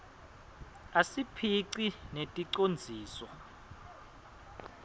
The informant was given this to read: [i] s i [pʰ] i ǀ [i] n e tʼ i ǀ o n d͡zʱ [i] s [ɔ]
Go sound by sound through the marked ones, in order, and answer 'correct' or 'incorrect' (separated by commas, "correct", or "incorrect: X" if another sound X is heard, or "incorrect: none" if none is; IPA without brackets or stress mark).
incorrect: a, correct, correct, incorrect: iː, correct